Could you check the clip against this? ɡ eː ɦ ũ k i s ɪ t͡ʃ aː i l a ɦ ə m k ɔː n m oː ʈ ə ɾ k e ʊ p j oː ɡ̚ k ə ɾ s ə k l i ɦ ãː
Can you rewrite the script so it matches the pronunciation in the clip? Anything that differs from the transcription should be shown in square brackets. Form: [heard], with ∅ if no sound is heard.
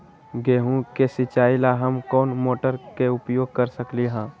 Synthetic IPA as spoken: ɡ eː ɦ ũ k [e] s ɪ t͡ʃ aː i l a ɦ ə m k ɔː n m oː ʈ ə ɾ k e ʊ p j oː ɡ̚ k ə ɾ s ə k l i ɦ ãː